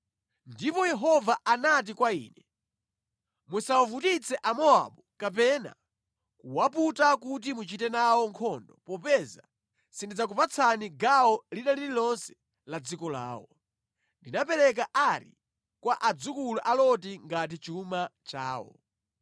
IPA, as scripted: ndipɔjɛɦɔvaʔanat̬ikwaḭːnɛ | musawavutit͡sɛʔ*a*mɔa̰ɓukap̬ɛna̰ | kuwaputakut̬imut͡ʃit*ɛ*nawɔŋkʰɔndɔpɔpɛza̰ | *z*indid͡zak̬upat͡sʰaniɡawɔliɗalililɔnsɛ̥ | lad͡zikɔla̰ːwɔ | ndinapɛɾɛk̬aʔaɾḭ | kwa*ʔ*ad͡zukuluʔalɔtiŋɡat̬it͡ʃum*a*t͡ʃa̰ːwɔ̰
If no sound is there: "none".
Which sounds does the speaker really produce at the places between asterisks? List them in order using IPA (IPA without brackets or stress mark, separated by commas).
a, ɛ, s, ʔ, a